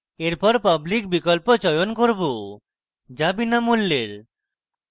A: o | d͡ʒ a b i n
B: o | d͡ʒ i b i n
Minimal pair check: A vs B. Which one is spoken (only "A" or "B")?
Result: A